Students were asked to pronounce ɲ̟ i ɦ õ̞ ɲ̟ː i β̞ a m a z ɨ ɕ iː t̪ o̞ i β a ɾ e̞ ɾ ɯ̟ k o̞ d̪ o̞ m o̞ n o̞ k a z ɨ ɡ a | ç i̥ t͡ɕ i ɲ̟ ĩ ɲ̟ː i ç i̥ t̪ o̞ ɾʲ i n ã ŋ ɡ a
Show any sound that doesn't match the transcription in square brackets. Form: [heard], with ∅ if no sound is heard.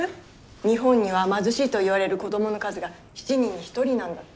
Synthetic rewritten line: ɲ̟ i ɦ õ̞ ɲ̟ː i β̞ a m a z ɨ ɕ iː t̪ o̞ i β a ɾ e̞ ɾ ɯ̟ k o̞ d̪ o̞ m o̞ n o̞ k a z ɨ ɡ a | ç i̥ t͡ɕ i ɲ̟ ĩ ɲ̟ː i ç i̥ t̪ o̞ ɾʲ i n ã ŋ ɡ a

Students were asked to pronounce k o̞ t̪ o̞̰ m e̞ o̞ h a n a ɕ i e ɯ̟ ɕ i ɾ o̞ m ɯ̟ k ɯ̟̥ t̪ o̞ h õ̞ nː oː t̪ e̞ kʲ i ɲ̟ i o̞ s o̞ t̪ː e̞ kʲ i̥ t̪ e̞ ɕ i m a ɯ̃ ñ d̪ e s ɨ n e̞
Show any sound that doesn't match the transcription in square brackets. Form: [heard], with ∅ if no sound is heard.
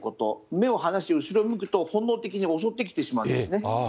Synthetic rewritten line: k o̞ t̪ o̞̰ m e̞ o̞ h a n a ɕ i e ɯ̟ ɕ i ɾ o̞ m ɯ̟ k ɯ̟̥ t̪ o̞ h õ̞ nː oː t̪ e̞ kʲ i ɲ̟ i o̞ s o̞ t̪ː e̞ kʲ i̥ t̪ e̞ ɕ i m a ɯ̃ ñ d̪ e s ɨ n e̞

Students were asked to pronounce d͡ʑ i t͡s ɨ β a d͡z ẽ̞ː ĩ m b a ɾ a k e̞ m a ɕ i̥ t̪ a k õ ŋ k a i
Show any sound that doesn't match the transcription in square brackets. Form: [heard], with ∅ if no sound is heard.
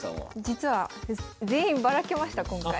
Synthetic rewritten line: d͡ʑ i t͡s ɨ β a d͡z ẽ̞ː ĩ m b a ɾ a k e̞ m a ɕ i̥ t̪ a k õ ŋ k a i

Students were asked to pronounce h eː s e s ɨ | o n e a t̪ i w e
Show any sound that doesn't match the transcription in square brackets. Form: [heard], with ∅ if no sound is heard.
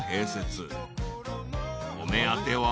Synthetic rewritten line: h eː s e [t͡s] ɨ | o [m] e a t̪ [e] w [a]

